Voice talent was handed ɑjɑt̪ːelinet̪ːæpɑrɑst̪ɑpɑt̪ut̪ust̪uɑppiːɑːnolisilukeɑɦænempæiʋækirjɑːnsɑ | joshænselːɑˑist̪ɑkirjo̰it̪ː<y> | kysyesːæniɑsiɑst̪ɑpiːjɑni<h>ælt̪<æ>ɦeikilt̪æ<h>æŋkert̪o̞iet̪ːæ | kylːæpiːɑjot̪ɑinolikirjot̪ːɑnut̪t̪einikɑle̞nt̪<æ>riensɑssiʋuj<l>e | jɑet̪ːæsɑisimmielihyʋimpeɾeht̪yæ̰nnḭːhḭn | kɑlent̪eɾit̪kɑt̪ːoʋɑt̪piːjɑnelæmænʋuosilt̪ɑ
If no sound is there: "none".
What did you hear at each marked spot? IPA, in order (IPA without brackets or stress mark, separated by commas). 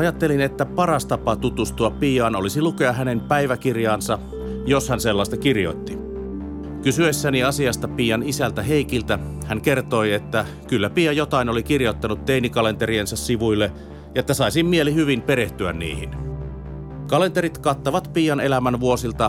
i, s, æ, h, e, lː